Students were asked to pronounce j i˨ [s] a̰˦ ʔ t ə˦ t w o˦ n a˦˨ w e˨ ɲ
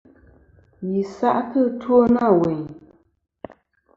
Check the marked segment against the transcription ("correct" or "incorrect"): correct